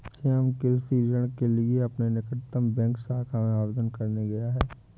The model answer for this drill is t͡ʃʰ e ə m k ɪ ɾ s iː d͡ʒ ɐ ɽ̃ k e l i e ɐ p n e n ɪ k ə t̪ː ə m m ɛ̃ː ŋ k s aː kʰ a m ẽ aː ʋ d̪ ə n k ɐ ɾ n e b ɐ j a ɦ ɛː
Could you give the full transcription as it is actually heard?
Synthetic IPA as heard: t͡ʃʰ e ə m k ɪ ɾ s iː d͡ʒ ə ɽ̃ k e l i e ɐ p n e n ɪ k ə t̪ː ə m b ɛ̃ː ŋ k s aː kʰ a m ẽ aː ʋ d̪ ə n k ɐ ɾ n e ɡ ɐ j a ɦ ɛː